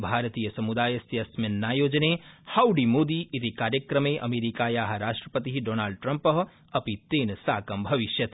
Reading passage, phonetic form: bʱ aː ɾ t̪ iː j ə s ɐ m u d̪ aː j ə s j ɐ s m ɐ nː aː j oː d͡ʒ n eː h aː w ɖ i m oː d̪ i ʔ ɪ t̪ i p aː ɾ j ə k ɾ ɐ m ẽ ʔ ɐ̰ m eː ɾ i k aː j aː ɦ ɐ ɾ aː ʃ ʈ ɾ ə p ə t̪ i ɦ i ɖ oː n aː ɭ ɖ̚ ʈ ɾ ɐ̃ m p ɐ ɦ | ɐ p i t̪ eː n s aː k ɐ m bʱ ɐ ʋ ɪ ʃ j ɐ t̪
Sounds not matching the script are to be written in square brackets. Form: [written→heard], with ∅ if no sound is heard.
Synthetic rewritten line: bʱ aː ɾ t̪ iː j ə s ɐ m u d̪ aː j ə s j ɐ s m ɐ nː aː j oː d͡ʒ n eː h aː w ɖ i m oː d̪ i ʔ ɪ t̪ i [p→k] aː ɾ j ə k ɾ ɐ m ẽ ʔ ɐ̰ m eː ɾ i k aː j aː ɦ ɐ ɾ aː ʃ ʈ ɾ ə p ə t̪ i ɦ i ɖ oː n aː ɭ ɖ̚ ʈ ɾ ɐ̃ m p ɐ ɦ | ɐ p i t̪ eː n s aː k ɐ m bʱ ɐ ʋ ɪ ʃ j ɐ t̪